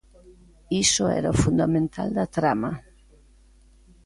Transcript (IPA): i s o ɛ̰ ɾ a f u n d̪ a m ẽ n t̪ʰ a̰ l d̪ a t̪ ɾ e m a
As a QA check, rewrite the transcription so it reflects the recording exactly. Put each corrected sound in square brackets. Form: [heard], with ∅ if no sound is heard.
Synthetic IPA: i s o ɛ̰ ɾ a f u n d̪ a m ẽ n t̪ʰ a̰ l d̪ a t̪ ɾ [a] m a